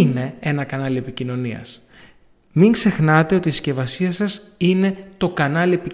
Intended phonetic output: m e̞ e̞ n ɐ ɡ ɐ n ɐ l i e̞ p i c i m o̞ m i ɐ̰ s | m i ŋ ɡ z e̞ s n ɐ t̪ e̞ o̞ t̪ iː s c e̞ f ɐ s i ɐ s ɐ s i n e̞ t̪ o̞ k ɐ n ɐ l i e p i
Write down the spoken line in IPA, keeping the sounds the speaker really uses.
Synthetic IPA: n e̞ e̞ n ɐ k ɐ n ɐ l i e̞ p i c i n o̞ n i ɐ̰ s | m i ŋ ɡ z e̞ x n ɐ t̪ e̞ o̞ t̪ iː s c e̞ v ɐ s i ɐ s ɐ s i n e̞ t̪ o̞ k ɐ n ɐ l i e p i